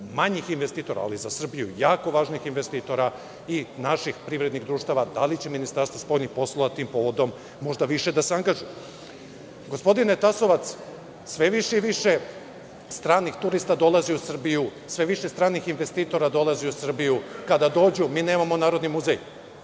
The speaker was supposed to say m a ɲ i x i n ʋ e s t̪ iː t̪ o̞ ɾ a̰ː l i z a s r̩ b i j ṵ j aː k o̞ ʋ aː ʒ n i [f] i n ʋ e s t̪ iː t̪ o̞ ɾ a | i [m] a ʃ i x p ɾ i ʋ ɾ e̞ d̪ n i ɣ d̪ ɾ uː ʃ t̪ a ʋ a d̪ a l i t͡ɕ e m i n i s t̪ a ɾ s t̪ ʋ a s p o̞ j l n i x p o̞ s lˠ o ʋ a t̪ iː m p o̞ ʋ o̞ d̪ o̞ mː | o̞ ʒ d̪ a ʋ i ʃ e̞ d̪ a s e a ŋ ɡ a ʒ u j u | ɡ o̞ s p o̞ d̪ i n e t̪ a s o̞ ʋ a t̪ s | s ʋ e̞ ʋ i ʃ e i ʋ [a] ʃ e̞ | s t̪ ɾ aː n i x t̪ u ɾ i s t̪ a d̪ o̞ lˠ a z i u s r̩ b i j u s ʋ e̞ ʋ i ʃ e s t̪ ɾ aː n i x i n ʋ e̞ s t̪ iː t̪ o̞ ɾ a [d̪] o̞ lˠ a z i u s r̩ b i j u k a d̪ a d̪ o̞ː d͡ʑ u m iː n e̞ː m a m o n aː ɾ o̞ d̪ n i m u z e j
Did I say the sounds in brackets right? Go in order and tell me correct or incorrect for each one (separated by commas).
incorrect, incorrect, incorrect, correct